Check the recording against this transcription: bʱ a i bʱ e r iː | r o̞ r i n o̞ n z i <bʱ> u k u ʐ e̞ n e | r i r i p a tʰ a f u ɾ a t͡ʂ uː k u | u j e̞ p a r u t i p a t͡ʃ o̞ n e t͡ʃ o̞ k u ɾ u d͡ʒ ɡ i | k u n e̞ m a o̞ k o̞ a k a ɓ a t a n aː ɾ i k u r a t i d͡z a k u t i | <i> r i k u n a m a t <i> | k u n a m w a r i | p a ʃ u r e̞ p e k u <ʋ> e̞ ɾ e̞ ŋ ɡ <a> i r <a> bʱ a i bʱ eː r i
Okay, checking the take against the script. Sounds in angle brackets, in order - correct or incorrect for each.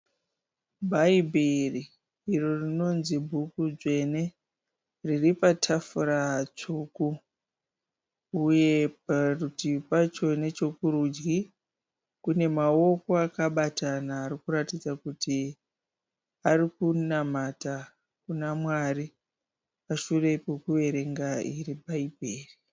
correct, incorrect, incorrect, correct, correct, incorrect

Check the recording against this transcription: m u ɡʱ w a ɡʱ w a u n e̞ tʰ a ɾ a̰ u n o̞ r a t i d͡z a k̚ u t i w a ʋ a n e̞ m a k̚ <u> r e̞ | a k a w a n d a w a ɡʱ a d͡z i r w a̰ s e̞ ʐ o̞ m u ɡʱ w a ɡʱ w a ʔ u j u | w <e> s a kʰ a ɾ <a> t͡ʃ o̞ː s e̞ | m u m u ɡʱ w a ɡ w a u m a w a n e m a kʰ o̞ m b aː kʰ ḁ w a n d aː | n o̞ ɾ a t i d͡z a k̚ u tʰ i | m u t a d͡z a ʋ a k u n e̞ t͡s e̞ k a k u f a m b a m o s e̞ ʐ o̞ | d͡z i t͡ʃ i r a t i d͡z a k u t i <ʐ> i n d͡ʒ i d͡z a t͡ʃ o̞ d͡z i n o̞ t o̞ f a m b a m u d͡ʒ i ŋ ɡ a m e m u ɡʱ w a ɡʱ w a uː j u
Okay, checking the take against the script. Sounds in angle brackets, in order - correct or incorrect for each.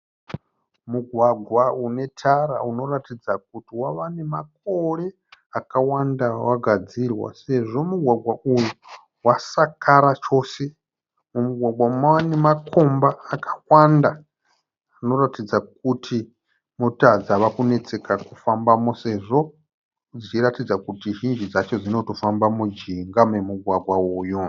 incorrect, incorrect, correct, incorrect

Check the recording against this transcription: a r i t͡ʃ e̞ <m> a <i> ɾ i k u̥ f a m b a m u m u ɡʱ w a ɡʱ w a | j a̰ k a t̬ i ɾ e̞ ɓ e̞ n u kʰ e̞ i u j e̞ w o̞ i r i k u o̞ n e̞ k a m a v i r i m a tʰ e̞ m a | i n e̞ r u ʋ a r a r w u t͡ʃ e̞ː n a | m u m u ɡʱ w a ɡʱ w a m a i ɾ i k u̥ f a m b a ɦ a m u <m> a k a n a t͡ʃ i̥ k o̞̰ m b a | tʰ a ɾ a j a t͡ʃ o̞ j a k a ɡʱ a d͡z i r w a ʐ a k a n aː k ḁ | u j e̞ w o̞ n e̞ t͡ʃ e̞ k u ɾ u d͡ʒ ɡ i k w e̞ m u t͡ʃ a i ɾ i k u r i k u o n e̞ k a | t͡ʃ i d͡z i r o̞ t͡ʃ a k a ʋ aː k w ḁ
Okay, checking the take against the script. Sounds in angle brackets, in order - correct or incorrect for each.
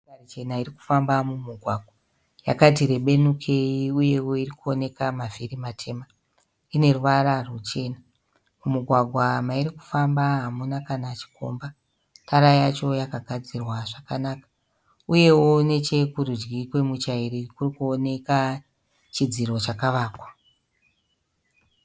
incorrect, correct, incorrect

